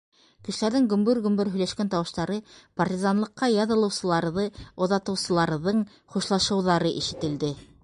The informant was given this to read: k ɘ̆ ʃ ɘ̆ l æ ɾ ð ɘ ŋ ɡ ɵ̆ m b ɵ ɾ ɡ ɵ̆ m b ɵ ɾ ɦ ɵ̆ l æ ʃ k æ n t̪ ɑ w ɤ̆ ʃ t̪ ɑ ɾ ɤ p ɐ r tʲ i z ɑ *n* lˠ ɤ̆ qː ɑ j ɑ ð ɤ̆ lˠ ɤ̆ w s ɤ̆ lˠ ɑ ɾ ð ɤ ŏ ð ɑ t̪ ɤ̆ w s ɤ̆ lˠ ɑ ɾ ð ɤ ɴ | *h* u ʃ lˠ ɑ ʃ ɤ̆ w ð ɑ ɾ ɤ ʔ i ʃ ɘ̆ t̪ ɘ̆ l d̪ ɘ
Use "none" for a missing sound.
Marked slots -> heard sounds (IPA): n, χ

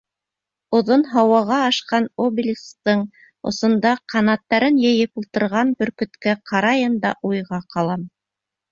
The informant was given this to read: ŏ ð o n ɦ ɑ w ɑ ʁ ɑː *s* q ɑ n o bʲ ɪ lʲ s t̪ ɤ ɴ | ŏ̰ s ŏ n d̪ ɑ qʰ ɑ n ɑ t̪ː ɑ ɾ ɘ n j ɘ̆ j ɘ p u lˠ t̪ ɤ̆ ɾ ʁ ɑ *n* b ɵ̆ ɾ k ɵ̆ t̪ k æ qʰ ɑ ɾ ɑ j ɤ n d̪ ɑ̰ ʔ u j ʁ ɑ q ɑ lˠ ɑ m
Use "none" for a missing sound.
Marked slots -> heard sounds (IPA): ʃ, n

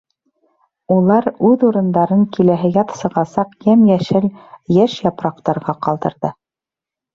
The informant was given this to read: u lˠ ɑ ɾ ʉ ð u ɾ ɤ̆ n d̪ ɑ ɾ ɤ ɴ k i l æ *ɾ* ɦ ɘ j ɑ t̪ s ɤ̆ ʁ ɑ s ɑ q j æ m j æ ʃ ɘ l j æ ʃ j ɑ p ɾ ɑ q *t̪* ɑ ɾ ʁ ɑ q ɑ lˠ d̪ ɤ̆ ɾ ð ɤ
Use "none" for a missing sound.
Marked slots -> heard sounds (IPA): none, t̪

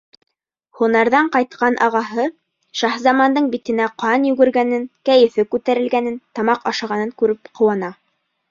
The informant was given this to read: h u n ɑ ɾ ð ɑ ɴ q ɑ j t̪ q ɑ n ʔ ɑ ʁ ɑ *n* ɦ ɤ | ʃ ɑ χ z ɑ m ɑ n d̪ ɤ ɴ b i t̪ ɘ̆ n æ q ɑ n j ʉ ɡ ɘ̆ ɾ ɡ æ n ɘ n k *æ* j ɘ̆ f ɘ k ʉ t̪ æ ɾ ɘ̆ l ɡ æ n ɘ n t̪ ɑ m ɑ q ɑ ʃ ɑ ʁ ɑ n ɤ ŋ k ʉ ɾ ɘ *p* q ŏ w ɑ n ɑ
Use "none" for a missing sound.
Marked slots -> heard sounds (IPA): none, æ, p

